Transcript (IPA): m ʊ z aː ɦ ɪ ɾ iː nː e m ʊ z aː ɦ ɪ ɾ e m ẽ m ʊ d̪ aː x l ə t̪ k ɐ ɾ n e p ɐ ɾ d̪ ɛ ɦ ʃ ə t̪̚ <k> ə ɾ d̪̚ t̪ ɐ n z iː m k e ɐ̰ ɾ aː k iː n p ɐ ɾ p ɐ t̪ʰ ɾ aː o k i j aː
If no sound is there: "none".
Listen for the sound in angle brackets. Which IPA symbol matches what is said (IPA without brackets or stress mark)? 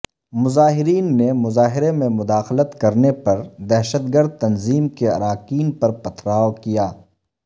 ɡ